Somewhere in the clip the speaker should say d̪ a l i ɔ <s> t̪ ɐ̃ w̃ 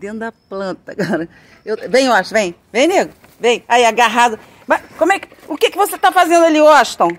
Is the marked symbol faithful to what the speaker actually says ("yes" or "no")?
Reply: no